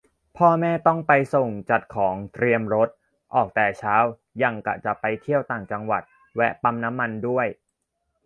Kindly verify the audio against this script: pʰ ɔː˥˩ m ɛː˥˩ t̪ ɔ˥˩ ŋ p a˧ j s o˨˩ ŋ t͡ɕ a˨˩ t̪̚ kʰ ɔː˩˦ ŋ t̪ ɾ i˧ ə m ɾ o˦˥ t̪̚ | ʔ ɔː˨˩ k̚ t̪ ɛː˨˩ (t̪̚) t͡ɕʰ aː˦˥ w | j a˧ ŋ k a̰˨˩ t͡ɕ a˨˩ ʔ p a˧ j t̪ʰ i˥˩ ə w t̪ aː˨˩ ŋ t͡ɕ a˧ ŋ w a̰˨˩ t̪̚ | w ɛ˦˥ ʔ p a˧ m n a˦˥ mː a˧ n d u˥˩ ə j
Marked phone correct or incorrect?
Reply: incorrect